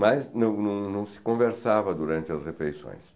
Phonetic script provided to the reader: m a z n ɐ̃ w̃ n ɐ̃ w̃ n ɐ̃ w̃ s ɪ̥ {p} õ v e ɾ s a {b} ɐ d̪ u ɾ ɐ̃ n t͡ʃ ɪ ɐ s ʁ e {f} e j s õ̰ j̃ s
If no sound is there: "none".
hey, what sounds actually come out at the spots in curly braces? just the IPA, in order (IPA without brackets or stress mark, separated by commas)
k, v, f